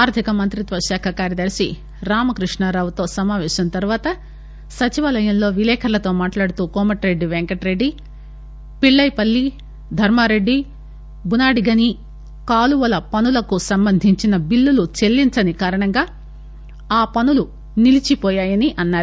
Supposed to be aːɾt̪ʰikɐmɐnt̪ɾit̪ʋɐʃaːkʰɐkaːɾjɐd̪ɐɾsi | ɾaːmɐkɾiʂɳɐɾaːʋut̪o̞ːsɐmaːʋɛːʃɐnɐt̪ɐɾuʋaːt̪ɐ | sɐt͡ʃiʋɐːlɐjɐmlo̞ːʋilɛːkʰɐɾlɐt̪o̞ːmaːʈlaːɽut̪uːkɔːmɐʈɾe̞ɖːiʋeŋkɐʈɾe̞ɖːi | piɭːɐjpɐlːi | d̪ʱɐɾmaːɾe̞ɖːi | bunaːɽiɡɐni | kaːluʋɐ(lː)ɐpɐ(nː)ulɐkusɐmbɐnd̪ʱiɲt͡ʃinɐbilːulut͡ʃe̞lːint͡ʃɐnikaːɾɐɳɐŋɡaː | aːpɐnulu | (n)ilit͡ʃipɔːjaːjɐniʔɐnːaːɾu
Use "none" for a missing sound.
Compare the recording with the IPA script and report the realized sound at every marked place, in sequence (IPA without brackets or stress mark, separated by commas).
l, n, n